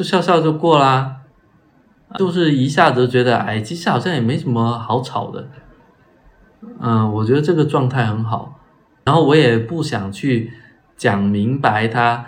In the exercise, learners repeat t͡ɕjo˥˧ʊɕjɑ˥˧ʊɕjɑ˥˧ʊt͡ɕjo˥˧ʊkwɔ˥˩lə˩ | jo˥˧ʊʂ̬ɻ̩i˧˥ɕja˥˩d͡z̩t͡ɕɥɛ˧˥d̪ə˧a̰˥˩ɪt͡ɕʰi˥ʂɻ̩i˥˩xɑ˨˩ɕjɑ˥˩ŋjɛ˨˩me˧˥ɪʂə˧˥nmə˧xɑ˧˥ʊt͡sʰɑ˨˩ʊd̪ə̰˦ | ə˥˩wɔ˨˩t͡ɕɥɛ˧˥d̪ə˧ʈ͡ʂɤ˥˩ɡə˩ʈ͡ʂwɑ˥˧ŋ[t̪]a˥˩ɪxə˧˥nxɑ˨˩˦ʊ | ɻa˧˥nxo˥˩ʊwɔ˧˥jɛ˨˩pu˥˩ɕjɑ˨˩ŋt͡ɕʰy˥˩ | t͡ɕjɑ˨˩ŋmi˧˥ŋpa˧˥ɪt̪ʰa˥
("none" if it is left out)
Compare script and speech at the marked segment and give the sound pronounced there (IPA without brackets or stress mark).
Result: t̪ʰ